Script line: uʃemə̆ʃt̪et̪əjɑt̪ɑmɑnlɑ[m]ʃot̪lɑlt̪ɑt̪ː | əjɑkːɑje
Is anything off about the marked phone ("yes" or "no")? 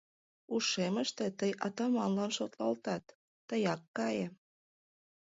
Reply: yes